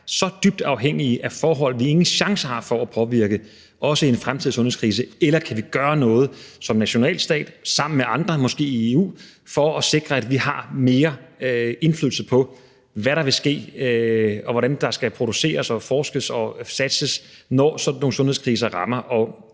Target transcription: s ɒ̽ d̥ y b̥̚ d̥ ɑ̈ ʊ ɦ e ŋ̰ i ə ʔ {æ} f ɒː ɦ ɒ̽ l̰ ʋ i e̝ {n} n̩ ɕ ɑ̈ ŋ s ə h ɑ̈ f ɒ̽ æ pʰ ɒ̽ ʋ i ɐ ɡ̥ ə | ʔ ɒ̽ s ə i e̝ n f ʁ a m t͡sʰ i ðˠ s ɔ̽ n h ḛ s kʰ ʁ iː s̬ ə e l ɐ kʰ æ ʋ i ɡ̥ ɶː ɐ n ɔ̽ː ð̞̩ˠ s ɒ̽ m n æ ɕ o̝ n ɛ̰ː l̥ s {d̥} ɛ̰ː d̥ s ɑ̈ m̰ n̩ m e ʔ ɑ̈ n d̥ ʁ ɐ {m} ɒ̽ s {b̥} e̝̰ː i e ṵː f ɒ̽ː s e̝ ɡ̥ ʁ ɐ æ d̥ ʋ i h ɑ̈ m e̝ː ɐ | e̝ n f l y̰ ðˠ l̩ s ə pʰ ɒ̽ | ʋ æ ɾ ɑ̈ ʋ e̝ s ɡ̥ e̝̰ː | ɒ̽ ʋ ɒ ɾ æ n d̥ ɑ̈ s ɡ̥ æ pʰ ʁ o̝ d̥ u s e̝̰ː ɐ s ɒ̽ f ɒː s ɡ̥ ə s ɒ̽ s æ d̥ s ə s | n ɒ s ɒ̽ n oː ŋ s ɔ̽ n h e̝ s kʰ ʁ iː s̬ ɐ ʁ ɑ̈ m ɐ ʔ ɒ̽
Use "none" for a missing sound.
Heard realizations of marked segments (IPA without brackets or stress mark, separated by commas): æ, ŋ, d̥, m, ɡ̥